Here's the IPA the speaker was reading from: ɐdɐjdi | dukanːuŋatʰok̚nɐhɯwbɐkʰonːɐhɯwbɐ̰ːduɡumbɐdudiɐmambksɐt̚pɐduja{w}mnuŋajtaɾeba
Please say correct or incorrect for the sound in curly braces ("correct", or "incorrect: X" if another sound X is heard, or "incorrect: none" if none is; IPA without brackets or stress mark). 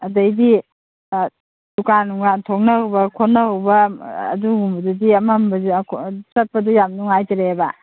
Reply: incorrect: none